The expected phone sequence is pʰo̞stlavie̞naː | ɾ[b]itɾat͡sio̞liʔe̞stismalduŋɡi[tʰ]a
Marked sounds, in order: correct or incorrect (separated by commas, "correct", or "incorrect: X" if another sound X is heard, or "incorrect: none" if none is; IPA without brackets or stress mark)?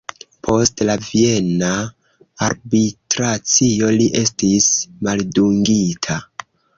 correct, correct